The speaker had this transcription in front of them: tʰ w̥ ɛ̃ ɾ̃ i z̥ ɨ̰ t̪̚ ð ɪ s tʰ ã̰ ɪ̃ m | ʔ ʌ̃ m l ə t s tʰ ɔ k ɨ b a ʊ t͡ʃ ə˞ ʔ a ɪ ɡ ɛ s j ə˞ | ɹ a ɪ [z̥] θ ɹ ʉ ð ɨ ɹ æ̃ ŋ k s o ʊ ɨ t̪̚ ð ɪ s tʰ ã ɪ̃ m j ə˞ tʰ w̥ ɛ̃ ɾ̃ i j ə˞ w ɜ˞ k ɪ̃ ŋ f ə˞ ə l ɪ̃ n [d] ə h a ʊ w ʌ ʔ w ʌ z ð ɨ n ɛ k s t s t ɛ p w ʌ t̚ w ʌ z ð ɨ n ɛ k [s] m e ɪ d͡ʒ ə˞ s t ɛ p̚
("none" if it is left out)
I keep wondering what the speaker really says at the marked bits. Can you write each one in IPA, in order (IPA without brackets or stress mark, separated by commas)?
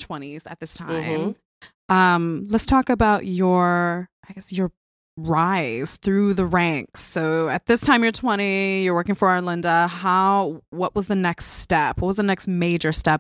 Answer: z̥, d, s